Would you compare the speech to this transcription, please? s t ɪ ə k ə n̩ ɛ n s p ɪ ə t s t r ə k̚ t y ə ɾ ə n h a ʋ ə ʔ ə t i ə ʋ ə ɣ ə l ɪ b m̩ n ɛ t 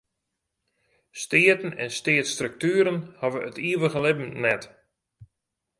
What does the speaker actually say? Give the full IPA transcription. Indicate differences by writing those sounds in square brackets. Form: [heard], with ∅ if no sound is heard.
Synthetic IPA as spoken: s t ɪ ə [t] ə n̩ ɛ n s [t] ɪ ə t s t r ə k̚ t y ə ɾ ə n h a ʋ ə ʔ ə t i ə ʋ ə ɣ ə l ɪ b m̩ n ɛ t